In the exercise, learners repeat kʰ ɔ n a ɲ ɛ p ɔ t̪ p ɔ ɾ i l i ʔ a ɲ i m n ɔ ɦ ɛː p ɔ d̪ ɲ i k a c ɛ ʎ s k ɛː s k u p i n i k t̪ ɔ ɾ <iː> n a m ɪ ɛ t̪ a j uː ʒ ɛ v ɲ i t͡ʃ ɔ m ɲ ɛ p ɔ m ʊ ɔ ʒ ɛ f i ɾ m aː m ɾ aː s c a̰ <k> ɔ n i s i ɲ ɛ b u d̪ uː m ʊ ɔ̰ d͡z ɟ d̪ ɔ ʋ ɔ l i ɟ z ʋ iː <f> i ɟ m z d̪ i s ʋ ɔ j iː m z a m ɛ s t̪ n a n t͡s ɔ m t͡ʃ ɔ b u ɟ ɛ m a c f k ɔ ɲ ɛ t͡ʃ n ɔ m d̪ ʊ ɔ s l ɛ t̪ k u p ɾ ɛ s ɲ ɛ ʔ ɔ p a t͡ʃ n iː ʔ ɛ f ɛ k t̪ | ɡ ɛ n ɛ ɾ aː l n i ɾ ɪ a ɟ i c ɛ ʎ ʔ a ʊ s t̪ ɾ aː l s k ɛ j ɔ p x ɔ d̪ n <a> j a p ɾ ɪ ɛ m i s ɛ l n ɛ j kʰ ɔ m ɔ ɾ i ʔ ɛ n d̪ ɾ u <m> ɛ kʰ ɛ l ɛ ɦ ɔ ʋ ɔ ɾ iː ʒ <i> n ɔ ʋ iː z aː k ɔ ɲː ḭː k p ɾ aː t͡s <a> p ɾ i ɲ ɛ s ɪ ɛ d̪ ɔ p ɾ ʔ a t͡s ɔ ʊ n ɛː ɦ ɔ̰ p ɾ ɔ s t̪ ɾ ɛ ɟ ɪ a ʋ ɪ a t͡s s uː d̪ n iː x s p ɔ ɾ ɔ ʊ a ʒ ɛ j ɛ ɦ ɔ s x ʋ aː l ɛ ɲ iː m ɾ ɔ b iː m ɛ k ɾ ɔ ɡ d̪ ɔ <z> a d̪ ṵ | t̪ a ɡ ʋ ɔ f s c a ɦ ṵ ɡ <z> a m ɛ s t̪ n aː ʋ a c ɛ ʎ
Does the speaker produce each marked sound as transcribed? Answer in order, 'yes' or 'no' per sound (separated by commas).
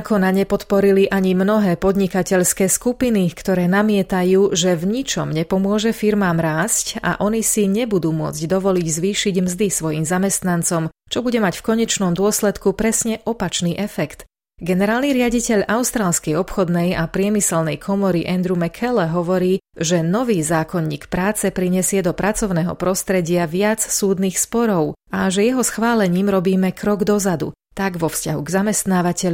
no, no, no, no, yes, no, no, yes, yes